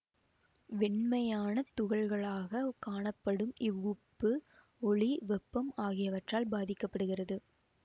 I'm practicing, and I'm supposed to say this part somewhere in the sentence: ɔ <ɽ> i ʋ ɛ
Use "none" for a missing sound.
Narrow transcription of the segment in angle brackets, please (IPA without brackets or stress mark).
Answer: ɭ